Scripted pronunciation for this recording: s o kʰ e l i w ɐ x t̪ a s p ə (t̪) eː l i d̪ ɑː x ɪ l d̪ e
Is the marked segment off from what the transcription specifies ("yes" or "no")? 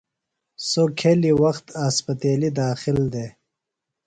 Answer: no